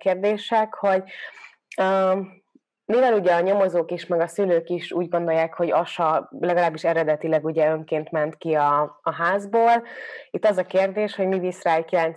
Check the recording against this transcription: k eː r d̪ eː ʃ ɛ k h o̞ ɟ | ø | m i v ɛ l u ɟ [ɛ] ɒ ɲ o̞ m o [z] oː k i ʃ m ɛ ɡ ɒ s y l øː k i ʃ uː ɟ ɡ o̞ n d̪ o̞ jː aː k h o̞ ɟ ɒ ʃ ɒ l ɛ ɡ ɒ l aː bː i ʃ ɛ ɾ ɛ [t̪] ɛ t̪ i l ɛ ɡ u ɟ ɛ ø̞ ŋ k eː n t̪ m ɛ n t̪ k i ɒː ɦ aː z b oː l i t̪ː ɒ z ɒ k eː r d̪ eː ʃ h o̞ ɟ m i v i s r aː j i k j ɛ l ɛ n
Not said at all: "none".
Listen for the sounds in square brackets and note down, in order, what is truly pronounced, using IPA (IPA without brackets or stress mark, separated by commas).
ɛ, z, d̪